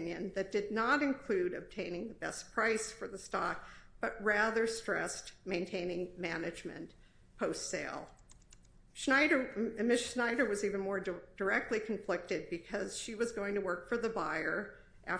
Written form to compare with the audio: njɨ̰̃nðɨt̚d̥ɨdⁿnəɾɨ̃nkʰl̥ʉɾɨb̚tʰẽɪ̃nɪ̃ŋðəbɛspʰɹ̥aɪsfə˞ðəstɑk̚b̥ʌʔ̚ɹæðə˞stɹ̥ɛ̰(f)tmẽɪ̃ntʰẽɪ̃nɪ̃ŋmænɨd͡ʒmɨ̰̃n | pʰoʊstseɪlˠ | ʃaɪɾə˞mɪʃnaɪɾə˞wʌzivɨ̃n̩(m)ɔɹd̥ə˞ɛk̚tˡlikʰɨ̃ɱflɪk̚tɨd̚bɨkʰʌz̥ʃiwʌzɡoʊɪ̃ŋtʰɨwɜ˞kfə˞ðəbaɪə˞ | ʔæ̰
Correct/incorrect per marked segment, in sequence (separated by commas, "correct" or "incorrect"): incorrect, correct